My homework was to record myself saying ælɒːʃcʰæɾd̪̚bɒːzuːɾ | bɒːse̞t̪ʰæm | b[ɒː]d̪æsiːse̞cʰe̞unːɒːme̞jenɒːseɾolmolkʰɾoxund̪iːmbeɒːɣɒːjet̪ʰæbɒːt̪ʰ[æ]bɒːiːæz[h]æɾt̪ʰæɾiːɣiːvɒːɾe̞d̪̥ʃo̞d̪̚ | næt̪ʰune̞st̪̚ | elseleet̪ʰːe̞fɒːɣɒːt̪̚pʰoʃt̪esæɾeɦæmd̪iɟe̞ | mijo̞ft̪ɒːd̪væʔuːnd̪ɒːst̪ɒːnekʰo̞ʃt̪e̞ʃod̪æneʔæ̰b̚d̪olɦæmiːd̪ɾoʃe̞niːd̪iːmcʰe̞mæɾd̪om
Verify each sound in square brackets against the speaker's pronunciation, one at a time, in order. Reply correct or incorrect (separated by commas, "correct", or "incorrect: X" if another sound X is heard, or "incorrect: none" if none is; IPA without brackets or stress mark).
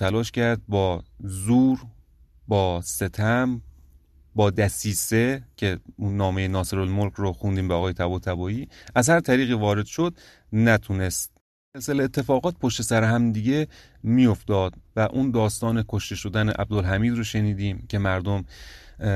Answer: correct, correct, correct